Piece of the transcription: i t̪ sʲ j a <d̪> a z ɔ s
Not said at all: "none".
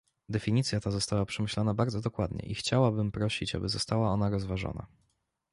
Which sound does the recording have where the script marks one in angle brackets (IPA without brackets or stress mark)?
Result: t̪